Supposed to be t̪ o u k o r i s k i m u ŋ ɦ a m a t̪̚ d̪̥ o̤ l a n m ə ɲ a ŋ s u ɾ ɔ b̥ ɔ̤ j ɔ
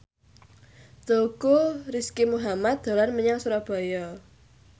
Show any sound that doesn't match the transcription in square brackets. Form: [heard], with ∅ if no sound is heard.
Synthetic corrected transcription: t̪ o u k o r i s k i m u [∅] ɦ a m a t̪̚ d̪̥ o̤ l a n m ə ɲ a ŋ s u ɾ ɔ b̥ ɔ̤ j ɔ